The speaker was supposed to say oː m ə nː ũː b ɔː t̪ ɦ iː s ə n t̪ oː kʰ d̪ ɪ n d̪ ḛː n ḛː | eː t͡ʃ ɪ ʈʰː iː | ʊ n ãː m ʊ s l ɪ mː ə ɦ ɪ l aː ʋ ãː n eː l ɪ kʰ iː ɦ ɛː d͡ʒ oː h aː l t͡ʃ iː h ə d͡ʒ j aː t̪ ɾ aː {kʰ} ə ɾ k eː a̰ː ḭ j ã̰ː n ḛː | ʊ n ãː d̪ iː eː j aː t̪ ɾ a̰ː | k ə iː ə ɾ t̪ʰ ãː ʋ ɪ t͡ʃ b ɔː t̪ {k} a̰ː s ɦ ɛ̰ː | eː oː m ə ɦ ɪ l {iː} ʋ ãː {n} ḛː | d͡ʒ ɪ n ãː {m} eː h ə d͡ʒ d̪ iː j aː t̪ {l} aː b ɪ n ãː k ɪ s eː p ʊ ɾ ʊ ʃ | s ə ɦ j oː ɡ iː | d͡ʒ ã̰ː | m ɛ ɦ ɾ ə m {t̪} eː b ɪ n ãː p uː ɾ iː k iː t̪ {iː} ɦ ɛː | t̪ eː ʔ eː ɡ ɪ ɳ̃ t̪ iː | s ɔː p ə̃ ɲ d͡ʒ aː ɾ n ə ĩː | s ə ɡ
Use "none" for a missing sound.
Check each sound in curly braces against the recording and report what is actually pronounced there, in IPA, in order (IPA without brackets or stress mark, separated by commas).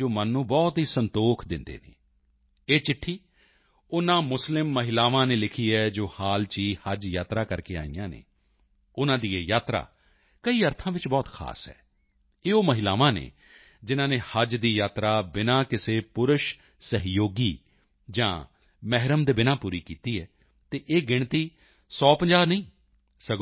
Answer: k, kʰ, aː, n, n, ɾ, d̪, iː